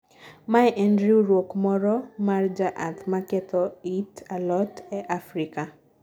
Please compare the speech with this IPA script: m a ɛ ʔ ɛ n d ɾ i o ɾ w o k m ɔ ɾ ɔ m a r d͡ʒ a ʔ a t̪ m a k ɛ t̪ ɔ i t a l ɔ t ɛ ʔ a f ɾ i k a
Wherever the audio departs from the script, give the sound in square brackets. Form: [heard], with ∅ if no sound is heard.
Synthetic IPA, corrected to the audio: m a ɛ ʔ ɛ n d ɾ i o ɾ w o k m ɔ ɾ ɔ m a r d͡ʒ a ʔ a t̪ m a k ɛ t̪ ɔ i t a l ɔ t ɛ ʔ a f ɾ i k a